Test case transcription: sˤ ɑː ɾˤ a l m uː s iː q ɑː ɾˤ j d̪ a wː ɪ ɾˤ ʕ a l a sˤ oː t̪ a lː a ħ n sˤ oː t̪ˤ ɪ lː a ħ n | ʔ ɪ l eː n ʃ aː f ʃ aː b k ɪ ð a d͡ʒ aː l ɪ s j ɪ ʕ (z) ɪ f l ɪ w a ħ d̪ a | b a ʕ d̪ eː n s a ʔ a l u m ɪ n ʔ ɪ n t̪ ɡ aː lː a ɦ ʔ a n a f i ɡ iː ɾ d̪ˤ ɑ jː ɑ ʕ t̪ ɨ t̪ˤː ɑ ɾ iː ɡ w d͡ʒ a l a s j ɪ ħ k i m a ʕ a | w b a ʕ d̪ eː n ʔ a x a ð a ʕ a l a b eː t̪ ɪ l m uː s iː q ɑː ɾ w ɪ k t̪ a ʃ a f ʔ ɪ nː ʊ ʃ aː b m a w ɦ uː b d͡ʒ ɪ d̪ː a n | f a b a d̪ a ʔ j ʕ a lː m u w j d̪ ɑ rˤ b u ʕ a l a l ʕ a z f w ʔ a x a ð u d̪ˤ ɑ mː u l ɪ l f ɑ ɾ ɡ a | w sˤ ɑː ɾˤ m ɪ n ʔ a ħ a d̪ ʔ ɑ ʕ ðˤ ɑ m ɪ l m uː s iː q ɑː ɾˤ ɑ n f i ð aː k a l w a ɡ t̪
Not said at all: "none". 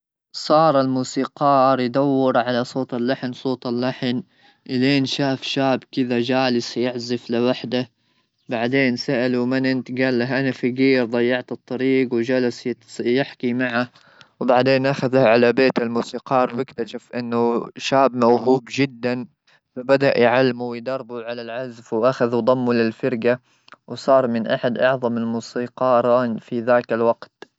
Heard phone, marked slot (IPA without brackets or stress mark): z